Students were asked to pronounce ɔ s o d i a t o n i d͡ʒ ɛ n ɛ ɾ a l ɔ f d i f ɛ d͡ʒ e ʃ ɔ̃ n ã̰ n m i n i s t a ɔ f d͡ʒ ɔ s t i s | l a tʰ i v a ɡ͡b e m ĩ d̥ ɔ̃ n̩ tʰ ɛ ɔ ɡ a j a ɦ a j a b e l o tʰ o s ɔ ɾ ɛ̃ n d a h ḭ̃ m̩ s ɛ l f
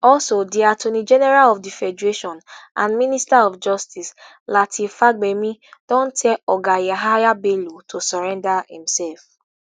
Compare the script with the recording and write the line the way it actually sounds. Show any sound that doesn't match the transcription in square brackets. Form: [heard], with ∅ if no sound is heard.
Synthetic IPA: ɔ s o d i a t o n i d͡ʒ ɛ n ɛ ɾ a l ɔ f d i f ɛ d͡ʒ e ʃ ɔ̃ n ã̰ n m i n i s t a ɔ f d͡ʒ ɔ s t i s | l a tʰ i [f] a ɡ͡b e m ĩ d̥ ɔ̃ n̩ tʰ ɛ ɔ ɡ a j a ɦ a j a b e l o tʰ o s ɔ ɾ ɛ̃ n d a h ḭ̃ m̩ s ɛ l f